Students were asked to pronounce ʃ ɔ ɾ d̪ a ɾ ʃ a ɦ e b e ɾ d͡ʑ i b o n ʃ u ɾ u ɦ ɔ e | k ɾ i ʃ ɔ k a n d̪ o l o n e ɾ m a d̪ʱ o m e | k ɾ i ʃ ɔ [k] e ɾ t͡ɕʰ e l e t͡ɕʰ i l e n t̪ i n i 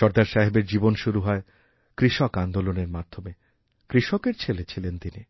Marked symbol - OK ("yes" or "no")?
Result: yes